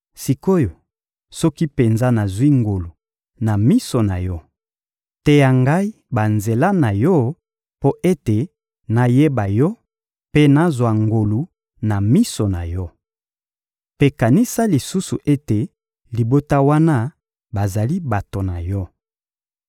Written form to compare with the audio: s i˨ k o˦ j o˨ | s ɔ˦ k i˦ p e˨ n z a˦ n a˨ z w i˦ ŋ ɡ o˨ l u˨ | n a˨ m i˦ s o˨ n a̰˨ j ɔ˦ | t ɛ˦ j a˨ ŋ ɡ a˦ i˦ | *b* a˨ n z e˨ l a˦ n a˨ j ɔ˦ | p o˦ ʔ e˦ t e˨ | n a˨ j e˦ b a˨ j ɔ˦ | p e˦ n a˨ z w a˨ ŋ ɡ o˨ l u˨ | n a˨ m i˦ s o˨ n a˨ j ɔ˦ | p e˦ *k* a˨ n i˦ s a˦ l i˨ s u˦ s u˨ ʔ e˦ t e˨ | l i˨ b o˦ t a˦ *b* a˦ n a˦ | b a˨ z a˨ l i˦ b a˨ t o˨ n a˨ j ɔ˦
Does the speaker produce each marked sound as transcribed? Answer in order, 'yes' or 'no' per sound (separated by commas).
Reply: yes, yes, no